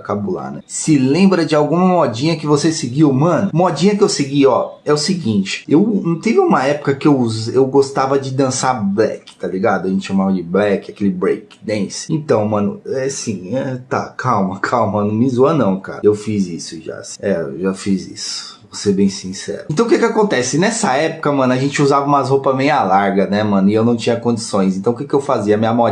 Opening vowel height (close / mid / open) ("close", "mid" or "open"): open